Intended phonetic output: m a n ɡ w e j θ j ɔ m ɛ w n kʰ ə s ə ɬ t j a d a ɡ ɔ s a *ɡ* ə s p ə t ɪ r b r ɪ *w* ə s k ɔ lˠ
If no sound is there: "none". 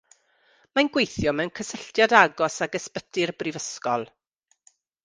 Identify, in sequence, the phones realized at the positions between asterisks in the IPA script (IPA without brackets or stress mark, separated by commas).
ɡ, v